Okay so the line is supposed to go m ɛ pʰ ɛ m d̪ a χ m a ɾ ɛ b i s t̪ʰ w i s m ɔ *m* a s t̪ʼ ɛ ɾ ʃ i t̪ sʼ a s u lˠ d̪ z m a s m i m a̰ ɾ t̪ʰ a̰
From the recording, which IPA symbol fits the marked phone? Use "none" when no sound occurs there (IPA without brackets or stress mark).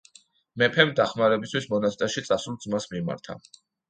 n